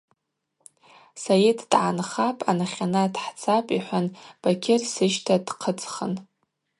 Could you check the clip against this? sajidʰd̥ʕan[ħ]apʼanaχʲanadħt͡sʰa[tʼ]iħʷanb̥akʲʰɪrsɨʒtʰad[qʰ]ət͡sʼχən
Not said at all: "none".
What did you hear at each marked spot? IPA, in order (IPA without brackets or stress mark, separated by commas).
χ, pʼ, qʰ